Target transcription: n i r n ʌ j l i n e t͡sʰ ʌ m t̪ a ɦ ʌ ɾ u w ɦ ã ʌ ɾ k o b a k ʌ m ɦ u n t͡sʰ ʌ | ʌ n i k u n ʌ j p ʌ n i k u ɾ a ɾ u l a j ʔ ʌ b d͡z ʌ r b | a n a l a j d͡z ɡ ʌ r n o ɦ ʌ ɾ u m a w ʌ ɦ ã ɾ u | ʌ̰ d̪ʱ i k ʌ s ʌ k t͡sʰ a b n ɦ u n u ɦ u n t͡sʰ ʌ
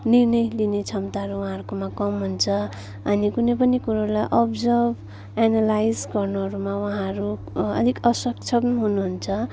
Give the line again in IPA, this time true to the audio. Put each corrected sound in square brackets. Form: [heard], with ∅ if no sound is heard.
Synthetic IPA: n i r n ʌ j l i n e t͡sʰ ʌ m t̪ a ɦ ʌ ɾ u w ɦ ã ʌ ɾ k o [m] a k ʌ m ɦ u n t͡sʰ ʌ | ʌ n i k u n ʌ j p ʌ n i k u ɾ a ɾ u l a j ʔ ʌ b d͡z ʌ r b | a n a l a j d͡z ɡ ʌ r n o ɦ ʌ ɾ u m a w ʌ ɦ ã ɾ u | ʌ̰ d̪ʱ i k ʌ s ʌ k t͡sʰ [ʌ] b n ɦ u n u ɦ u n t͡sʰ ʌ